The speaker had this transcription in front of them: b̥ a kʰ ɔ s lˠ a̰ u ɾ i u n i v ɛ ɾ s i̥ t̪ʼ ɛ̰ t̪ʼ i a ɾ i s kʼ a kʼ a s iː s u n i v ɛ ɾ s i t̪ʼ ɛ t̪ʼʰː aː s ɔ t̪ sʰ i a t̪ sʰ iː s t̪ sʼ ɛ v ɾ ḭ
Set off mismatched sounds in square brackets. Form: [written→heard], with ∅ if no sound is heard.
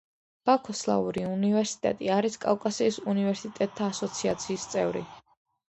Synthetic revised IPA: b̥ a kʰ ɔ s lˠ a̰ u ɾ i u n i v ɛ ɾ s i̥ t̪ʼ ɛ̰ t̪ʼ i a ɾ i s kʼ a kʼ a s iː s u n i v ɛ ɾ s i t̪ʼ ɛ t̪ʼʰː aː s ɔ t̪ sʰ i a t̪ sʰ iː s t̪ sʼ ɛ v ɾ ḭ